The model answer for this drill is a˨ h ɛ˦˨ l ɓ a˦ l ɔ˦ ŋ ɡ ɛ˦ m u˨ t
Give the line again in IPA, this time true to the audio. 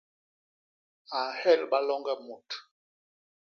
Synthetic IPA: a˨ h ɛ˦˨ l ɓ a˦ l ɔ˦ ŋ ɡ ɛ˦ m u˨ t